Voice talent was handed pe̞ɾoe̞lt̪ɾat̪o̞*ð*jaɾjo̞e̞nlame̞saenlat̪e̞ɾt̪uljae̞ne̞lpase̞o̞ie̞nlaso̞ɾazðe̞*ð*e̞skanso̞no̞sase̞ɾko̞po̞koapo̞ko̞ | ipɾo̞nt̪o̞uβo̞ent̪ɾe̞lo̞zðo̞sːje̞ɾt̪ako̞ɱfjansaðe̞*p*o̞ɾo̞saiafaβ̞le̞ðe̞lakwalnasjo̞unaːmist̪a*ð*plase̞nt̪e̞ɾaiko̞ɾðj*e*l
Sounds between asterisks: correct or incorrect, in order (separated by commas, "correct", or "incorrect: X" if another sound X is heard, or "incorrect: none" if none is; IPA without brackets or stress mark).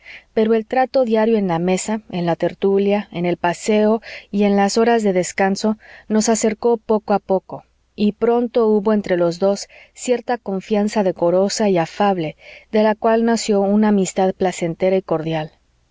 correct, correct, incorrect: k, correct, incorrect: a